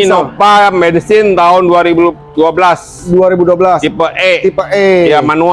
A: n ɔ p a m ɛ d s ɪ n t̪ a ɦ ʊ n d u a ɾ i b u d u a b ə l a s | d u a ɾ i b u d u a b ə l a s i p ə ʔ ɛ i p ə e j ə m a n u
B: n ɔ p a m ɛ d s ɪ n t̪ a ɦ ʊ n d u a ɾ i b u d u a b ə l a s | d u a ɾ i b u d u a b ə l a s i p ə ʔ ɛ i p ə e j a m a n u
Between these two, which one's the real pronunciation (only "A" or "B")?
B